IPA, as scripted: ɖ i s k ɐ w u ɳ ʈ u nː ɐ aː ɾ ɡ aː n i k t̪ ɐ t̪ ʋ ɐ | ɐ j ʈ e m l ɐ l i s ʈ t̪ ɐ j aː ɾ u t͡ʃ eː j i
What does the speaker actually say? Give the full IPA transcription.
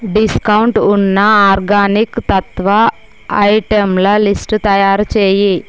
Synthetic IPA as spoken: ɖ i s k ɐ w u ɳ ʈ u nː ɐ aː ɾ ɡ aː n i k t̪ ɐ t̪ ʋ ɐ | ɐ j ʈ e m l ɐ l i s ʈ t̪ ɐ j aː ɾ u t͡ʃ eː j i